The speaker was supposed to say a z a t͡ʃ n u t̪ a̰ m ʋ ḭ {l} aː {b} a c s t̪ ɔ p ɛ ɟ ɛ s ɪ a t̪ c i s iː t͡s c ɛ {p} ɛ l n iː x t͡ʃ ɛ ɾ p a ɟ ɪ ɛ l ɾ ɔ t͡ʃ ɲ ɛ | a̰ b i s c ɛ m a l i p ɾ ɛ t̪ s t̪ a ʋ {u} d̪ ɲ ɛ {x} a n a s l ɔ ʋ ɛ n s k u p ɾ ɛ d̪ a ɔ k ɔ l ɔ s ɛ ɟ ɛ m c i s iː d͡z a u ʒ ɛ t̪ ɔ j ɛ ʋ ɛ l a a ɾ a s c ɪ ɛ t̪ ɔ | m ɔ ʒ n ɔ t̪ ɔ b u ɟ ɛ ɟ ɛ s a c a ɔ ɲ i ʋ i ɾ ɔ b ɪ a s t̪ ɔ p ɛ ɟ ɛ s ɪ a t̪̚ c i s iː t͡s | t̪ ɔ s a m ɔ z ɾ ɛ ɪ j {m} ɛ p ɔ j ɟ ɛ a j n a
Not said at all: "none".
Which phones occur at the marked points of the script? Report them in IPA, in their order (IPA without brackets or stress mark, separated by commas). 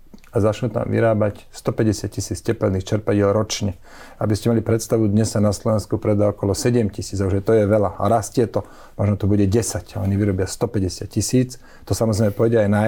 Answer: ɾ, b, p, u, s, m